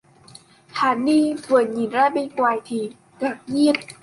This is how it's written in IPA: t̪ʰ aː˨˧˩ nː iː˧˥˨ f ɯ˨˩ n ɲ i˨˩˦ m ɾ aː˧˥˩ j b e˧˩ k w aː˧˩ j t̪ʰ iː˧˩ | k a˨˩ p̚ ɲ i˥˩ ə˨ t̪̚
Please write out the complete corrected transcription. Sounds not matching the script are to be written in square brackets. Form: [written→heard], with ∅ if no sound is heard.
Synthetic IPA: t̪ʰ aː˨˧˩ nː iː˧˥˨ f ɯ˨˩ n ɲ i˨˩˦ [m→n] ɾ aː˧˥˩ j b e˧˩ k w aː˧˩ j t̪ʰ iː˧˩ | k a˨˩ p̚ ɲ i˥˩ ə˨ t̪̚